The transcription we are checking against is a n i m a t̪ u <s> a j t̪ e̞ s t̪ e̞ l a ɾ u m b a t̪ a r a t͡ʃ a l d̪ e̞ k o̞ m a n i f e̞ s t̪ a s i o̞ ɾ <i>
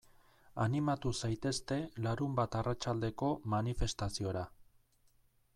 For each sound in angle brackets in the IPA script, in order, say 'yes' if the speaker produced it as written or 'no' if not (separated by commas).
yes, no